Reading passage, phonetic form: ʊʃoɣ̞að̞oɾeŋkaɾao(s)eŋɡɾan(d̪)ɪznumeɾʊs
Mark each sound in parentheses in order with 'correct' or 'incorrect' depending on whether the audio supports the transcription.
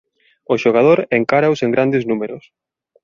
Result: correct, correct

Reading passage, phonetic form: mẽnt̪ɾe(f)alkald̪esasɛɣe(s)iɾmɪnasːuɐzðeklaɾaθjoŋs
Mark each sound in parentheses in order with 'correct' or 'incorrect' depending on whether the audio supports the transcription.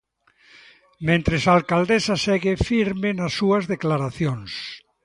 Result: incorrect: s, incorrect: f

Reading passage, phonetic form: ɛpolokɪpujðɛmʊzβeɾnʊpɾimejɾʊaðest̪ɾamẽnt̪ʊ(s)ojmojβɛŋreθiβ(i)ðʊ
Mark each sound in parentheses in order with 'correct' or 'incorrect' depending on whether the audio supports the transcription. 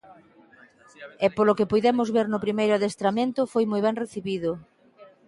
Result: incorrect: f, correct

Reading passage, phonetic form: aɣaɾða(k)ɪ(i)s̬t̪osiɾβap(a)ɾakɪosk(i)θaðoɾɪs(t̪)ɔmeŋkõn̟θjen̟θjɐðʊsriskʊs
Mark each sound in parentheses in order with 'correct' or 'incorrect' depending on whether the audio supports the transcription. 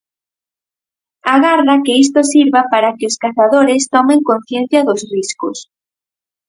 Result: correct, correct, correct, incorrect: a, correct

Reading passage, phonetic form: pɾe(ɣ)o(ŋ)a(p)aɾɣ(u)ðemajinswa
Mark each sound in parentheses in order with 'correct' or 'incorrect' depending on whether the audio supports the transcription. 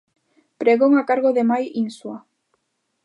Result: correct, correct, incorrect: k, incorrect: o

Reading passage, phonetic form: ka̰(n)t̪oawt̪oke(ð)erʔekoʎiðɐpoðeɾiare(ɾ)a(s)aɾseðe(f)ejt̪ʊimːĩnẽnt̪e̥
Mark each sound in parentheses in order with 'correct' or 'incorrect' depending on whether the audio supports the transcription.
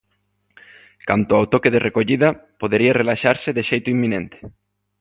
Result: correct, correct, incorrect: l, incorrect: ʃ, incorrect: ʃ

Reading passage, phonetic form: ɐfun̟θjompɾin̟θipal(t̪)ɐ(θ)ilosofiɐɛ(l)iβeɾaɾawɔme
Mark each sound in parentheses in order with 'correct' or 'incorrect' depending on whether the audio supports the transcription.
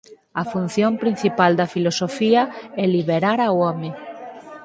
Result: incorrect: d̪, incorrect: f, correct

